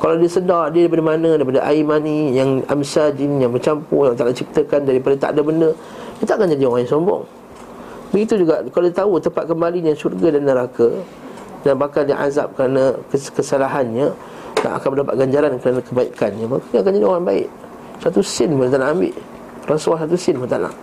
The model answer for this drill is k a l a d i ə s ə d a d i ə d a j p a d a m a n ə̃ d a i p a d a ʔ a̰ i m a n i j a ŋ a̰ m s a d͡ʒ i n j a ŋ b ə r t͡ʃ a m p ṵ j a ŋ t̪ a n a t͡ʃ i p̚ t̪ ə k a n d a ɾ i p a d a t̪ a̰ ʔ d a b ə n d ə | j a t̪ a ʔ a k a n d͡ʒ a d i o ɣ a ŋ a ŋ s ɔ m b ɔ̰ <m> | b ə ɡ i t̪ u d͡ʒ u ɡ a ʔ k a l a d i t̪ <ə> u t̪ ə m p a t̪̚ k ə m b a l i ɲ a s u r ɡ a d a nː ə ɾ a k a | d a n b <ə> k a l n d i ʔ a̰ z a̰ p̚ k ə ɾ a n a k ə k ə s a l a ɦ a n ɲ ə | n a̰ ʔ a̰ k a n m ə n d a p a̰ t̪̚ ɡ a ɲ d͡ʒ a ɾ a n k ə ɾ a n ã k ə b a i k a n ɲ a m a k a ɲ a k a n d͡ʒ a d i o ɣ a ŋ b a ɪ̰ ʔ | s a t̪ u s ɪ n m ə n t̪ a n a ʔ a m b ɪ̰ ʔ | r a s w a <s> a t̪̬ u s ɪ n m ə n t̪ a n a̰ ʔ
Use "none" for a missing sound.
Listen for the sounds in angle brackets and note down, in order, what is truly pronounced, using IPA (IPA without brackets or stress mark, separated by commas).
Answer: ŋ, a, a, s